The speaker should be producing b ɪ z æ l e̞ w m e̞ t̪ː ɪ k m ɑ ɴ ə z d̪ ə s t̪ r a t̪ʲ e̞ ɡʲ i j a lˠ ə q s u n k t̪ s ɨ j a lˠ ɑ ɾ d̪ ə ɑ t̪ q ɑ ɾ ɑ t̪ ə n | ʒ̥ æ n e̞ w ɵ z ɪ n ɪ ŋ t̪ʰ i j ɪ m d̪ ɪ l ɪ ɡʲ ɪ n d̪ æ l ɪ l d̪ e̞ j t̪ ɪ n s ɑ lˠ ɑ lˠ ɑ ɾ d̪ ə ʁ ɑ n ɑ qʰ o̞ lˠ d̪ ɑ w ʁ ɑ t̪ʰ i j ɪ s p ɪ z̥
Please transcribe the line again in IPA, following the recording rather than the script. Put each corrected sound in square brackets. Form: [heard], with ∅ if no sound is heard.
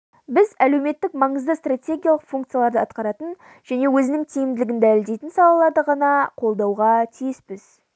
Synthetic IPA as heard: b ɪ z æ l e̞ w m e̞ t̪ː ɪ k m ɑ ɴ ə z d̪ ə s t̪ r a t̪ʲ e̞ ɡʲ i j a lˠ ə q [f] u [ŋ] k t̪ s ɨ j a lˠ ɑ ɾ d̪ ə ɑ t̪ q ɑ ɾ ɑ t̪ ə n | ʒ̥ æ n e̞ w ɵ z ɪ n ɪ ŋ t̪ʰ i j ɪ m d̪ ɪ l ɪ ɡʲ ɪ n d̪ æ l ɪ l d̪ e̞ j t̪ ɪ n s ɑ lˠ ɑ lˠ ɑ ɾ d̪ ə ʁ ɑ n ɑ qʰ o̞ lˠ d̪ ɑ w ʁ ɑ t̪ʰ i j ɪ s p ɪ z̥